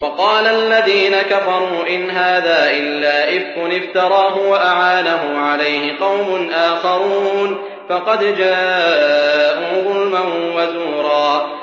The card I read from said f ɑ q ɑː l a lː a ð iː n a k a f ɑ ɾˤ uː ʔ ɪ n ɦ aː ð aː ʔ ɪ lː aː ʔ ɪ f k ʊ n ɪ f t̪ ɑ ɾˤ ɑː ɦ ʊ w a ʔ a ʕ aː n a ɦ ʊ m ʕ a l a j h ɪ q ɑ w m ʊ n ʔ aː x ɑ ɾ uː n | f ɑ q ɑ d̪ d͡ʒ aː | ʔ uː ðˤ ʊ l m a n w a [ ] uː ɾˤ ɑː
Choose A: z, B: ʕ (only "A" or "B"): A